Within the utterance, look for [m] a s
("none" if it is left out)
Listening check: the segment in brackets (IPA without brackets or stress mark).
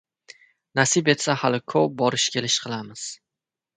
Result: n